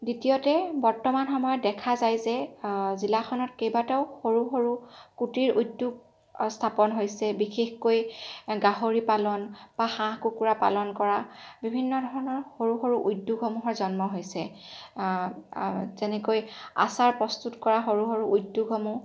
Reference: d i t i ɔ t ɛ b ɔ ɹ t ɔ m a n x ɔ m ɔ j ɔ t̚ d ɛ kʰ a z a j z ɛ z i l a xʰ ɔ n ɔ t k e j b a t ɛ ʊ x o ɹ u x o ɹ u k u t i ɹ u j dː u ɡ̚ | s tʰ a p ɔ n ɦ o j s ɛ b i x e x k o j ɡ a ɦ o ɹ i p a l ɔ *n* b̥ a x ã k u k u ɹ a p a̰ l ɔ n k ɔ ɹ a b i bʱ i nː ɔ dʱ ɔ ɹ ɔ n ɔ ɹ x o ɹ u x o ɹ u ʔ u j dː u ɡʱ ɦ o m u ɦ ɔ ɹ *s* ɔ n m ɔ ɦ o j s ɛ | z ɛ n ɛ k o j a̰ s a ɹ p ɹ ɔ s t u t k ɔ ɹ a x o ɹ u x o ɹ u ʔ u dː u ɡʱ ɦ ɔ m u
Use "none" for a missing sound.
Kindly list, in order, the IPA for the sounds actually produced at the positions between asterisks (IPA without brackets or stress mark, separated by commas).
n, z